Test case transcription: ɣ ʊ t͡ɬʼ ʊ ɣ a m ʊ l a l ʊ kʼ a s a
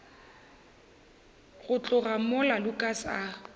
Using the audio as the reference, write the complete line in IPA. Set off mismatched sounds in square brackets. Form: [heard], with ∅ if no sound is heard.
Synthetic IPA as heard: ɣ ʊ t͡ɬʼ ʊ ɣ a m ʊ l a l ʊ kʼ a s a